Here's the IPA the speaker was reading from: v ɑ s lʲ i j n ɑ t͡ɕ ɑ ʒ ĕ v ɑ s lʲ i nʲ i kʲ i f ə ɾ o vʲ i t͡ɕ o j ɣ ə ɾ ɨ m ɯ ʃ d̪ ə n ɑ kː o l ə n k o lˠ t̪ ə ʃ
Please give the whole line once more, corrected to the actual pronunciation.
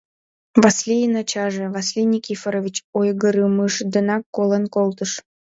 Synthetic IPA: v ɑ s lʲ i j n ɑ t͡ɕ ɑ ʒ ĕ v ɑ s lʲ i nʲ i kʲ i f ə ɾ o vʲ i t͡ɕ o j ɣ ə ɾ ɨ m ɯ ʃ d̪ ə n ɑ kː o l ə n k o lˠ t̪ ə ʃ